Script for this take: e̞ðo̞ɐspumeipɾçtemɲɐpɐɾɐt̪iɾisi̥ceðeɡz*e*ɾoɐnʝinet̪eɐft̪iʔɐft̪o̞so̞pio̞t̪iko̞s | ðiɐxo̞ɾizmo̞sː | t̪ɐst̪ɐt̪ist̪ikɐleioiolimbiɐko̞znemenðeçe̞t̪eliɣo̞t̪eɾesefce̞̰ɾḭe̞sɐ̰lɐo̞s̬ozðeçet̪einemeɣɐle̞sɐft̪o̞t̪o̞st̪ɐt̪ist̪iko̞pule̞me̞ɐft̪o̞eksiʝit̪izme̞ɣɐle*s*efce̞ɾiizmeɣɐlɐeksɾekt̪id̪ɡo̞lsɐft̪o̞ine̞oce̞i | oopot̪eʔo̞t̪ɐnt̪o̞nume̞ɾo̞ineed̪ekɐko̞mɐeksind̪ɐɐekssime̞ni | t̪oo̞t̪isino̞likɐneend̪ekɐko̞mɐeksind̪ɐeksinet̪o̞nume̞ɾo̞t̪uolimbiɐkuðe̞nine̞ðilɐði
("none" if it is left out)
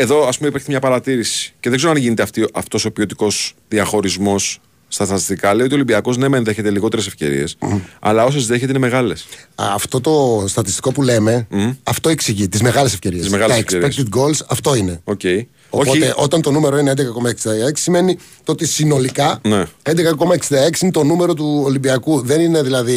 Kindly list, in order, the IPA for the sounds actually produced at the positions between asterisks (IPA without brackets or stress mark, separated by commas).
e, s